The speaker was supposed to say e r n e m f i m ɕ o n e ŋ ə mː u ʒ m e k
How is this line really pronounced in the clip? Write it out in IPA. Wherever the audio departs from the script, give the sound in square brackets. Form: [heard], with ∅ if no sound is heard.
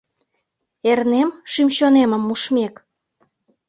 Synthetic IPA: e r n e m [ʃ] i m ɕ o n e [m] ə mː u [ʃ] m e k